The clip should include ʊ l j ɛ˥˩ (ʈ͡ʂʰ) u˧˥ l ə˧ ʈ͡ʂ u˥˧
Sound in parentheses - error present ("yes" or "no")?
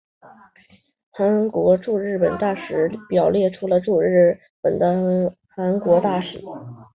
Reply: no